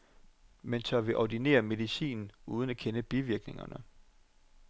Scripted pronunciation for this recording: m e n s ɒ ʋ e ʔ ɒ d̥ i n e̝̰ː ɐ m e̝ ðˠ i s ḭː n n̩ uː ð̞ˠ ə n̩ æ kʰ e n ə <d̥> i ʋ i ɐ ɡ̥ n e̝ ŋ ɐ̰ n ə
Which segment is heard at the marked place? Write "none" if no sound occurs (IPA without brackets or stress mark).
b̥